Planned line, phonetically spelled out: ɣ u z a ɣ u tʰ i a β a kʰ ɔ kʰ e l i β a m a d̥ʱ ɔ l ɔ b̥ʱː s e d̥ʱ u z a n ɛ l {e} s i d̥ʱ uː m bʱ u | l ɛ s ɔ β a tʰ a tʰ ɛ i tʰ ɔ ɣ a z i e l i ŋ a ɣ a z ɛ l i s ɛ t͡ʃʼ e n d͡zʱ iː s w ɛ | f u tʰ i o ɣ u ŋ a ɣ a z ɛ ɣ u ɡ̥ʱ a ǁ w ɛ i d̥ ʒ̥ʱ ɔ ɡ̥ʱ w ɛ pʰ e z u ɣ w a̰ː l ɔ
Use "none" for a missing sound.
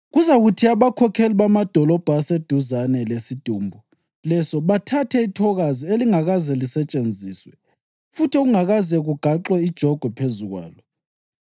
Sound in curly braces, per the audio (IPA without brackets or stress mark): e